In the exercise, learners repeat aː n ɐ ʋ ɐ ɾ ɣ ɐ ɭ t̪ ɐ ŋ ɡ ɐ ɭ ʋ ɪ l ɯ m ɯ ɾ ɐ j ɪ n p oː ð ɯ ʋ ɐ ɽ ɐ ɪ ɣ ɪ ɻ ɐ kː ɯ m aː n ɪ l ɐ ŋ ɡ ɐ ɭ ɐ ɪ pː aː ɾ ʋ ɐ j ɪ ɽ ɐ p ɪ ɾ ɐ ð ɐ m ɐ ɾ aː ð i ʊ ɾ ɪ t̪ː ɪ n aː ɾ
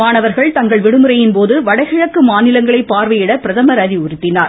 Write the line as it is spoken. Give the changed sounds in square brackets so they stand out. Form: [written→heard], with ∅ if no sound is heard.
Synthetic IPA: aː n ɐ ʋ ɐ ɾ ɣ ɐ ɭ t̪ ɐ ŋ ɡ ɐ ɭ ʋ ɪ [l→ɽ] ɯ m ɯ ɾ ɐ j ɪ n p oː ð ɯ ʋ ɐ ɽ ɐ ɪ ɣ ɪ ɻ ɐ kː ɯ m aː n ɪ l ɐ ŋ ɡ ɐ ɭ ɐ ɪ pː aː ɾ ʋ ɐ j ɪ ɽ ɐ p ɪ ɾ ɐ ð ɐ m ɐ ɾ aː ð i ʊ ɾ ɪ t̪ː ɪ n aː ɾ